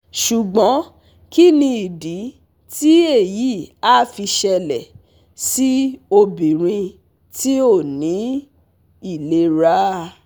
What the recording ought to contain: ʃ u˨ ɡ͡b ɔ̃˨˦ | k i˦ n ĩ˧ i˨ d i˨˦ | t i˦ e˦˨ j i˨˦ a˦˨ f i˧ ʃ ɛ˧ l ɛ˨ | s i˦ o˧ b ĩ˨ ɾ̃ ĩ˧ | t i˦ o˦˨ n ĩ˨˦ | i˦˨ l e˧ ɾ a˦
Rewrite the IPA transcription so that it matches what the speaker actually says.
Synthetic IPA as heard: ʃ u˨ ɡ͡b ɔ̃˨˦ | k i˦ n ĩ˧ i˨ d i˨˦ | t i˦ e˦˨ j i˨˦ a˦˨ f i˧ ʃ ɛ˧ l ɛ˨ | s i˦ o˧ b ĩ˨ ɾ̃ ĩ˧ | t i˦ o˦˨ n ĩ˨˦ | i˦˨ l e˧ ɾ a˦